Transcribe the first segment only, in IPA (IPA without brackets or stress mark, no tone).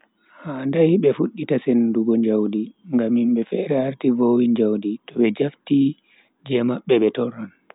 h